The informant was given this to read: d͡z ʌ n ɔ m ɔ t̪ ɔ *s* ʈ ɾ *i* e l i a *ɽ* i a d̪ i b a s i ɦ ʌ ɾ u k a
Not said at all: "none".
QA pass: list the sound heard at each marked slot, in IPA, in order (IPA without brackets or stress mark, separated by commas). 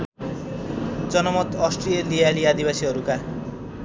s, i, l